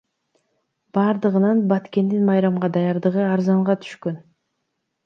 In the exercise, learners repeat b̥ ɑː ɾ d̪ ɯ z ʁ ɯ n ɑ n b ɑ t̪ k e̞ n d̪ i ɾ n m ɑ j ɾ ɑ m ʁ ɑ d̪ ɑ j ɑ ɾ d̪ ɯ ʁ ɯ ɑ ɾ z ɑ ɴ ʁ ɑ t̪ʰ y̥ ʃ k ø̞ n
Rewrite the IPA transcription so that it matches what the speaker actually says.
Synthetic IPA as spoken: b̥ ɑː ɾ d̪ ɯ ʁ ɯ n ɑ n b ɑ t̪ k e̞ n d̪ i n m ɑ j ɾ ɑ m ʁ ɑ d̪ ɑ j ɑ ɾ d̪ ɯ ʁ ɯ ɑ ɾ z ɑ ɴ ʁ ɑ t̪ʰ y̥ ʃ k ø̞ n